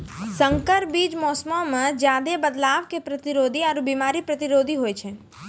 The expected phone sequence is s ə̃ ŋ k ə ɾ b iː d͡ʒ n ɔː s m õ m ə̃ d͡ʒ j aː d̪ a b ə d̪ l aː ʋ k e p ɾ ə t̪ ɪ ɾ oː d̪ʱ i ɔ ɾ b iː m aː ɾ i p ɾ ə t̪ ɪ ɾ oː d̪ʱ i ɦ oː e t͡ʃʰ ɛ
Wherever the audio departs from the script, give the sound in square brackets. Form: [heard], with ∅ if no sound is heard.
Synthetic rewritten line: s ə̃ ŋ k ə ɾ b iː d͡ʒ [m] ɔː s m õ m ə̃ d͡ʒ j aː d̪ [e] b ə d̪ l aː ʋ k e p ɾ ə t̪ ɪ ɾ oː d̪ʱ i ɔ ɾ b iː m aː ɾ i p ɾ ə t̪ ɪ ɾ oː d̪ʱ i ɦ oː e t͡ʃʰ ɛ